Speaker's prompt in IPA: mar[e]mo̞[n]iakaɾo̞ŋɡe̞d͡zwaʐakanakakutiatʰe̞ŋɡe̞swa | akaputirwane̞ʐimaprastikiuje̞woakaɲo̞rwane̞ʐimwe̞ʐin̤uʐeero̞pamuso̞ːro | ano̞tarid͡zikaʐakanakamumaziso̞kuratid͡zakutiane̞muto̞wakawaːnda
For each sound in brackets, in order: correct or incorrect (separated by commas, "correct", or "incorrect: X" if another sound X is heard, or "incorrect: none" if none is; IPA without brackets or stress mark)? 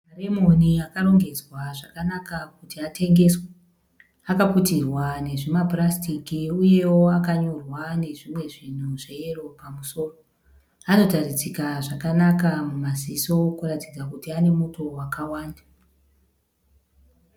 correct, correct